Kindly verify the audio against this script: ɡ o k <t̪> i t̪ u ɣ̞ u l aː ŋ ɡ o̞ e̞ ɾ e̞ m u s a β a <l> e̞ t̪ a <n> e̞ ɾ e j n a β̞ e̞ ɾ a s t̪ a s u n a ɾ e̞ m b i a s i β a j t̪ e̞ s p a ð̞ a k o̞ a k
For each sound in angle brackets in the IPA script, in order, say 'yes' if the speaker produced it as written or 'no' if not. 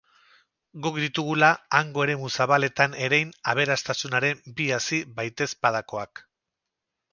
no, yes, yes

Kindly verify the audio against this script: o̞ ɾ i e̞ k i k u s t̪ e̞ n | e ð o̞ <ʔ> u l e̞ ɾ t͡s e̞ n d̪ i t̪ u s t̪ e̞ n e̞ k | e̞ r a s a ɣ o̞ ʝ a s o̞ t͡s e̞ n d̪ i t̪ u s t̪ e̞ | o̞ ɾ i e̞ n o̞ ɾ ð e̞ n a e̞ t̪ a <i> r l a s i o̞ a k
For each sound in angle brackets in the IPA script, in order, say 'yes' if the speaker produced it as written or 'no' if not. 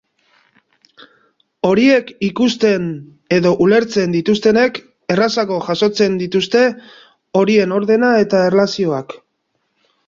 yes, no

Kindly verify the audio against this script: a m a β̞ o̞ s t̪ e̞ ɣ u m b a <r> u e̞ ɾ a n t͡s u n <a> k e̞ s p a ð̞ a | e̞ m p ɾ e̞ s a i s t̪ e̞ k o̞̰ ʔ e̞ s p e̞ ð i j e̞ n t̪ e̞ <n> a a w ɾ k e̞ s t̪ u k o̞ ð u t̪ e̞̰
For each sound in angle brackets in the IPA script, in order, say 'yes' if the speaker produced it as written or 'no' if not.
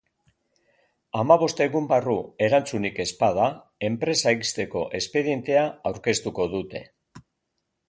yes, no, no

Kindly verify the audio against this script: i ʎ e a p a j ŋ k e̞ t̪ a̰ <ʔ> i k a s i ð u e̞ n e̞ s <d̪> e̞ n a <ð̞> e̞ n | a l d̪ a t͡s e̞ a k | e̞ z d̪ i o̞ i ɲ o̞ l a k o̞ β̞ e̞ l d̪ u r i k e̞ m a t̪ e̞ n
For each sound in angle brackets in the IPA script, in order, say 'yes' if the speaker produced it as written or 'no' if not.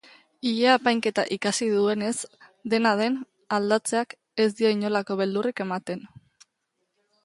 yes, yes, yes

